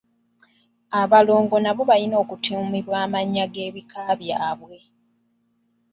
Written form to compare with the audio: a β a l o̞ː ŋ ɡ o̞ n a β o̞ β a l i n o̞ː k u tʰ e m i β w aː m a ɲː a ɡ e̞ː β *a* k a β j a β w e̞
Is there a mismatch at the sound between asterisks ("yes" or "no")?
yes